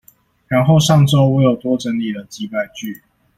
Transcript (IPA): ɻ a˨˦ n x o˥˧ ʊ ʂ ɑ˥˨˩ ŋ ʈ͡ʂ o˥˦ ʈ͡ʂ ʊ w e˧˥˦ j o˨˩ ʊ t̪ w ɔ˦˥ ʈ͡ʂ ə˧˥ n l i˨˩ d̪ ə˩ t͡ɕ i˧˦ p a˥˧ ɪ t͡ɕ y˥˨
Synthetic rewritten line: ɻ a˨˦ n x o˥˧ ʊ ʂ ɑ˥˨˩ ŋ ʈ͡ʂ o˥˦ ʊ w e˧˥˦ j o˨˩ ʊ t̪ w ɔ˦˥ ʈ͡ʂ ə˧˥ n l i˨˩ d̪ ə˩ t͡ɕ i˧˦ p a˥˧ ɪ t͡ɕ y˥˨